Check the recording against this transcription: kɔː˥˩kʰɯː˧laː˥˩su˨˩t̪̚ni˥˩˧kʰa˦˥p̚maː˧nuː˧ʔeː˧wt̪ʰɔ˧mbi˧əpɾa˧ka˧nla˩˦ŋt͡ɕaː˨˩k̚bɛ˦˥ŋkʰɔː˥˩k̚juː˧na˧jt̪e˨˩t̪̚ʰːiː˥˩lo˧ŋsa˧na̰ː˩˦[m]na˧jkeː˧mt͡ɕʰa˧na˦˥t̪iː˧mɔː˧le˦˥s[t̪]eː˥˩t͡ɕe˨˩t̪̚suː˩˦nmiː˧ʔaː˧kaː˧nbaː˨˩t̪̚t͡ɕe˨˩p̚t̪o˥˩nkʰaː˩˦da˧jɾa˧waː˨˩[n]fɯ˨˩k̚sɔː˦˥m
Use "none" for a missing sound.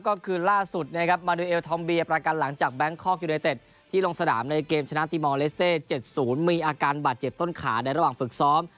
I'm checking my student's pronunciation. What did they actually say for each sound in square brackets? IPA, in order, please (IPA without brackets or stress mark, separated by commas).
m, t̪, ŋ